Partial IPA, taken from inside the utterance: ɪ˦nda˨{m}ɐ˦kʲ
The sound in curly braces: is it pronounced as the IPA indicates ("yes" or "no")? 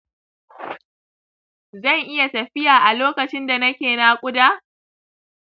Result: no